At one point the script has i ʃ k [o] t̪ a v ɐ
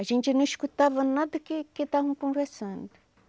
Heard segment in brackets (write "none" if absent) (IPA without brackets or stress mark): u